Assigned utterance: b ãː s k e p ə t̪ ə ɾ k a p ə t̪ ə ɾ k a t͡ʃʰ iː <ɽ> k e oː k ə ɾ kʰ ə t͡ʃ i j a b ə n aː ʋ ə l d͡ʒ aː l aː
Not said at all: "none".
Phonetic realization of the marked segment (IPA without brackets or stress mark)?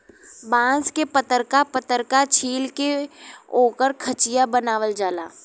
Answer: l